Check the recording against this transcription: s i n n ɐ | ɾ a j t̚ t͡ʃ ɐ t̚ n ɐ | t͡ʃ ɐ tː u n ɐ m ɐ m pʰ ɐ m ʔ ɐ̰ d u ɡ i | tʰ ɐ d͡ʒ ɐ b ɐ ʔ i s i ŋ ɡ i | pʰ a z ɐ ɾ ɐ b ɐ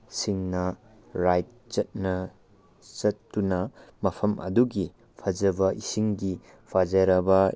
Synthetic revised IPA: s i ŋ n ɐ | ɾ a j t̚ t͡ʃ ɐ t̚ n ɐ | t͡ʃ ɐ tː u n ɐ m ɐ pʰ ɐ m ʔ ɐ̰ d u ɡ i | pʰ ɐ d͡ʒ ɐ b ɐ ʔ i s i ŋ ɡ i | pʰ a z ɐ ɾ ɐ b ɐ